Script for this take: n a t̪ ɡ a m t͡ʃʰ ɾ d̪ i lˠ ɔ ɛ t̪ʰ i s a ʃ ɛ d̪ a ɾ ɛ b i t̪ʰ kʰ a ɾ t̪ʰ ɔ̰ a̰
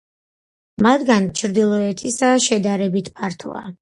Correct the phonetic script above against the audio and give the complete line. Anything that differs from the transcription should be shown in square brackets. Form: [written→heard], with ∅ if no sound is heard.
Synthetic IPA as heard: [n→m] a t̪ ɡ a [m→n] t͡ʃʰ ɾ d̪ i lˠ ɔ ɛ t̪ʰ i s a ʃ ɛ d̪ a ɾ ɛ b i t̪ʰ [kʰ→pʰ] a ɾ t̪ʰ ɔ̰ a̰

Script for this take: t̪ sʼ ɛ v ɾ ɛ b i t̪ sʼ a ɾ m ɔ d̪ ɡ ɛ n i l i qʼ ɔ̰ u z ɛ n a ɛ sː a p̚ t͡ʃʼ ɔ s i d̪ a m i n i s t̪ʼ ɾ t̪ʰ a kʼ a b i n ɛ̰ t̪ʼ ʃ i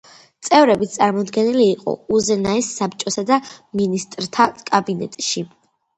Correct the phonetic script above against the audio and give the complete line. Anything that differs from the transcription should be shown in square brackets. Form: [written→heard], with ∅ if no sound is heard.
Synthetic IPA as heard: t̪ sʼ ɛ v ɾ ɛ b i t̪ sʼ a ɾ m ɔ d̪ ɡ ɛ n i l [i→iː] qʼ ɔ̰ u z ɛ n a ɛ sː a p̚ t͡ʃʼ ɔ s [i→a] d̪ a m i n i s t̪ʼ ɾ t̪ʰ a kʼ a b i n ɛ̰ t̪ʼ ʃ i

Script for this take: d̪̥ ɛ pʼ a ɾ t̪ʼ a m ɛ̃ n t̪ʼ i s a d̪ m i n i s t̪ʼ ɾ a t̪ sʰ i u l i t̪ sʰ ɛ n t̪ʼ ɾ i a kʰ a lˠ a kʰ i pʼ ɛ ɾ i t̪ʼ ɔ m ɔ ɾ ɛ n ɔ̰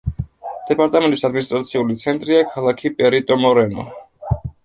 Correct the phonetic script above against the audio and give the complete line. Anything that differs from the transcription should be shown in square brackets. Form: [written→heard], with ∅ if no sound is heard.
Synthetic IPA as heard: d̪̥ ɛ pʼ a ɾ t̪ʼ a m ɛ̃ n t̪ʼ i s a d̪ m i n i s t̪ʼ ɾ a t̪ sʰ i u l i t̪ sʰ ɛ n t̪ʼ ɾ i a kʰ a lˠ a kʰ i pʼ ɛ ɾ i t̪ʼ ɔ m ɔ ɾ ɛ n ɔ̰

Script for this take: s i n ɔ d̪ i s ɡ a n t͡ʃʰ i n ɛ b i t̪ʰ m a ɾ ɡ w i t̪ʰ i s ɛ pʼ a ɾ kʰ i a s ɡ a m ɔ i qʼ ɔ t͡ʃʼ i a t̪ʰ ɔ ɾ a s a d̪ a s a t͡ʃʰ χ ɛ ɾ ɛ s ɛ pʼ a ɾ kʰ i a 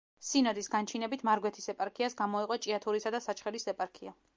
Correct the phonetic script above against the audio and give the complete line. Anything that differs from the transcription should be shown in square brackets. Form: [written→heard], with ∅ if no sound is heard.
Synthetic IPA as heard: s i n ɔ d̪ i s ɡ a n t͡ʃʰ i n ɛ b i t̪ʰ m a ɾ ɡ w [i→ɛ] t̪ʰ i s ɛ pʼ a ɾ kʰ i a s ɡ a m ɔ i qʼ ɔ t͡ʃʼ i a t̪ʰ [ɔ→u] ɾ [a→i] s a d̪ a s a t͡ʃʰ χ ɛ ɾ [ɛ→i] s ɛ pʼ a ɾ kʰ i a

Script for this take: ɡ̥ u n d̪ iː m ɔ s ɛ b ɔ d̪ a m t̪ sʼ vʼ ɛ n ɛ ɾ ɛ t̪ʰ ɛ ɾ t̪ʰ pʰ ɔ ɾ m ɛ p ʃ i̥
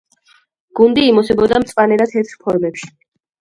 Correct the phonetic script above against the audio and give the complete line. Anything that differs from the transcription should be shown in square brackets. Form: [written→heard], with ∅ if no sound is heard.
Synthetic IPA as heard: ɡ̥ u n d̪ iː m ɔ s ɛ b ɔ d̪ a m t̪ sʼ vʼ [ɛ→a] n ɛ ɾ [ɛ→a] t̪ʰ ɛ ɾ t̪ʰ pʰ ɔ ɾ m ɛ p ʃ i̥

